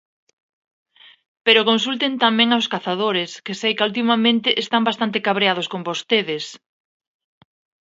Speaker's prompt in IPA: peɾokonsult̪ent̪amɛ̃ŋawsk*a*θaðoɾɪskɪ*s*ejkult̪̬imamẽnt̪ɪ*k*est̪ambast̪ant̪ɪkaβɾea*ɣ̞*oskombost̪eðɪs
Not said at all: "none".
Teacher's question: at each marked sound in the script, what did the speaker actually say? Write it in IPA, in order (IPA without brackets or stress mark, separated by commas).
a, s, ʔ, ð̞